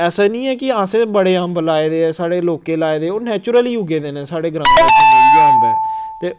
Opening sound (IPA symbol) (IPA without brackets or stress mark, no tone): ɛː